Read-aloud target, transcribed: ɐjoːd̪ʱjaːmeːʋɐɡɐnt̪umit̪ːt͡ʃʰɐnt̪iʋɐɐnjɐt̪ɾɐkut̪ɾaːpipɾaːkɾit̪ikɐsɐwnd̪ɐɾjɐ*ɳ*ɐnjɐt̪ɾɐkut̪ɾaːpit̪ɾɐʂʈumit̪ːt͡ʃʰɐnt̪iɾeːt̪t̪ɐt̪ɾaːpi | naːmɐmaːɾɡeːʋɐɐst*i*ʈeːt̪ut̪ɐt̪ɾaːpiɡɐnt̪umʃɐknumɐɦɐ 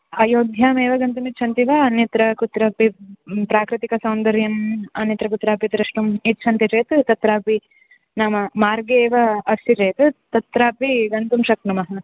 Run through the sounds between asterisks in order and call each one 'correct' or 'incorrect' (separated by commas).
incorrect, correct